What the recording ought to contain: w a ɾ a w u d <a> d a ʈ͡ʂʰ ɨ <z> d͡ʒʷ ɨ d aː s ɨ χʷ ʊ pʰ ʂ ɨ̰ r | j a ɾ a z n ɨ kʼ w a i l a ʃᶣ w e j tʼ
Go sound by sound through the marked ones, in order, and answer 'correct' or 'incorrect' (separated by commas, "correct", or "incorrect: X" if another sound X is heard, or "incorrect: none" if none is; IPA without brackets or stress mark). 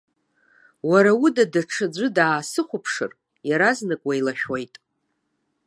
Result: correct, incorrect: none